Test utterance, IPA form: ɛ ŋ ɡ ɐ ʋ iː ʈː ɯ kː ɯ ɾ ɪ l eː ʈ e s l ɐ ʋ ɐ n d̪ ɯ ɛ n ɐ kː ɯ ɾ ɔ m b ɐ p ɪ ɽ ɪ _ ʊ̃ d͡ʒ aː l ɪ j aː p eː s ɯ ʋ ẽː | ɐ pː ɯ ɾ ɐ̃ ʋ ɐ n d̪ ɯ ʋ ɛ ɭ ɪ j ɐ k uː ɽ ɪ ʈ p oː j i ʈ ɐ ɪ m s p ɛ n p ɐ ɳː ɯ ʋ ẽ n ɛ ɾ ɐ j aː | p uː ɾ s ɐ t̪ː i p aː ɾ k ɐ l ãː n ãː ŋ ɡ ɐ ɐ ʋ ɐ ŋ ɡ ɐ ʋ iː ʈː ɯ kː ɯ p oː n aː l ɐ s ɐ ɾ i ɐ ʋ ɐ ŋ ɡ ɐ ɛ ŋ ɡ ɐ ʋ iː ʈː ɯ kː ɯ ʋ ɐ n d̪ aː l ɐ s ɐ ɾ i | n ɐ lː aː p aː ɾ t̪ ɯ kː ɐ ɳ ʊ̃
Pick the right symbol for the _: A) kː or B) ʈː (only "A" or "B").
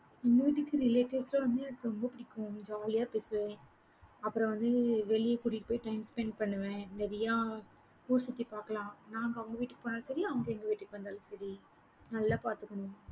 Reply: A